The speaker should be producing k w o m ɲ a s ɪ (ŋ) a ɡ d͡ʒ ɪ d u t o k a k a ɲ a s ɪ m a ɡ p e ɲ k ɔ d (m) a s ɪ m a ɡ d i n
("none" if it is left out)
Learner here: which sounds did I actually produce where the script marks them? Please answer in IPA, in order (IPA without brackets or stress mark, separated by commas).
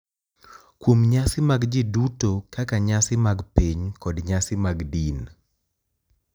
m, ɲ